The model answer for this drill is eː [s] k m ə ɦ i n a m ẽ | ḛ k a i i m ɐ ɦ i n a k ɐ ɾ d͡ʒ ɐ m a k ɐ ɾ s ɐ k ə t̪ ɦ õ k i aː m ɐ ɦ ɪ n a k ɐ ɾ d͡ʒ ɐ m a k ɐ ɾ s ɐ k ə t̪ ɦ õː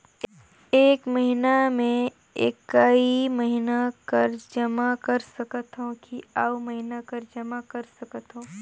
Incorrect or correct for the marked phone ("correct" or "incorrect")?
incorrect